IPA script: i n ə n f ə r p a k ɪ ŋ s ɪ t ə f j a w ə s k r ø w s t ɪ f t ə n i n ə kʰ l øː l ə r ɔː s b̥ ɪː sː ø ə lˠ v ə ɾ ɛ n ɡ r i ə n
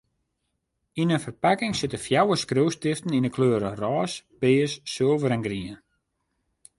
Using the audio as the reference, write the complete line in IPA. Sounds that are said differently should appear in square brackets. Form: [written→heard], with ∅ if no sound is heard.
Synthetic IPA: i n ə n f ə r p a k ɪ ŋ s ɪ t ə f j a w ə s k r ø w s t ɪ f t ə n i n ə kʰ l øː [l→ɾ] ə r ɔː s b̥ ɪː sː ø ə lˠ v ə ɾ ɛ n ɡ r i ə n